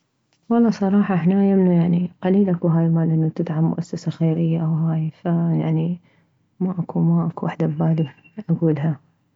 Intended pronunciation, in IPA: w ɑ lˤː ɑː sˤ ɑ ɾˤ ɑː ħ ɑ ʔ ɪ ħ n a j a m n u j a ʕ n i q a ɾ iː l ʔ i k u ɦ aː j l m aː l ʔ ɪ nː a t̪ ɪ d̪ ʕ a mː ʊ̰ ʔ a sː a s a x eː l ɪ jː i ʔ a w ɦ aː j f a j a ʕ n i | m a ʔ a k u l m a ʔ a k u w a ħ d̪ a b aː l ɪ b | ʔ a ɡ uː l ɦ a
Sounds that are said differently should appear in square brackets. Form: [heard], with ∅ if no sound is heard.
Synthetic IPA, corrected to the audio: w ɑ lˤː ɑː sˤ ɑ ɾˤ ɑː ħ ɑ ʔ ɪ ħ n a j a m n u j a ʕ n i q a [l] iː l ʔ [a] k u ɦ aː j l m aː l ʔ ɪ nː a t̪ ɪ d̪ ʕ a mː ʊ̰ ʔ a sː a s a x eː [ɾ] ɪ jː [a] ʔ a w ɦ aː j f a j a ʕ n i | m a ʔ a k u [∅] m a ʔ a k u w a ħ d̪ a b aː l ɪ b | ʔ a ɡ uː l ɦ a

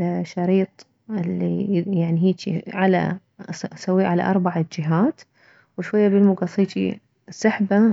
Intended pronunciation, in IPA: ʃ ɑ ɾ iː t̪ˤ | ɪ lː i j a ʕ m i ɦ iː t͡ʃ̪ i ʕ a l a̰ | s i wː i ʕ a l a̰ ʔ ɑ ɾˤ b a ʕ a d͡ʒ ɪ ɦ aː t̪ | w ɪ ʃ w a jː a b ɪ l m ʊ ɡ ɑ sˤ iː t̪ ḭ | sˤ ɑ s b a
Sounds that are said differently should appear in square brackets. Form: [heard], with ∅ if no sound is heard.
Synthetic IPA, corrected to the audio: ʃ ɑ ɾ iː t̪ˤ | ɪ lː i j a ʕ [n] i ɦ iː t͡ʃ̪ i ʕ a l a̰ | s [a] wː i ʕ a l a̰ ʔ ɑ ɾˤ b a ʕ a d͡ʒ ɪ ɦ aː t̪ | w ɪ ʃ w a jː a b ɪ l m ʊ ɡ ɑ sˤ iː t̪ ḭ | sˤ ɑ [ħ] b a

